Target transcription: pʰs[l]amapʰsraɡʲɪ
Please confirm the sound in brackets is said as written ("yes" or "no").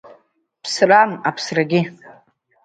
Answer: no